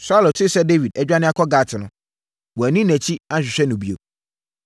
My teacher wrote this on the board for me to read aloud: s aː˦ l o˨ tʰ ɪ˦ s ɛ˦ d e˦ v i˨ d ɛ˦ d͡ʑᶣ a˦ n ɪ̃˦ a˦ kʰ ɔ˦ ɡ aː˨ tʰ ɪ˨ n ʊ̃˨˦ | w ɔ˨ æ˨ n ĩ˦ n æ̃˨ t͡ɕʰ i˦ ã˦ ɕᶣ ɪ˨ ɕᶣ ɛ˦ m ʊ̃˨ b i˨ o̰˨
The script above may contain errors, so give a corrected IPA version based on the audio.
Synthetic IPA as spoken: s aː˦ l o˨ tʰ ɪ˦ s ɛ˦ d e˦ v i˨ d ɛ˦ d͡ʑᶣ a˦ n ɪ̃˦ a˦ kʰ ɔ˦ ɡ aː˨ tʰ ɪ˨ n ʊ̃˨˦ | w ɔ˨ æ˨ n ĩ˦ n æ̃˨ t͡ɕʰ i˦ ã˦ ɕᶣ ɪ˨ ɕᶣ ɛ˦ n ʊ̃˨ b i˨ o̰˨